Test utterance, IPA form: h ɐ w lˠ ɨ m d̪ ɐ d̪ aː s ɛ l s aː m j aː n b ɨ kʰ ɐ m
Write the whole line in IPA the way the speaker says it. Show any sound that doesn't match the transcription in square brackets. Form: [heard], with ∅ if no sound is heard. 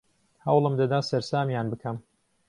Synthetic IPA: h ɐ w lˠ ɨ m d̪ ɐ d̪ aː s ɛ [ɾ] s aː m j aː n b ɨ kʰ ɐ m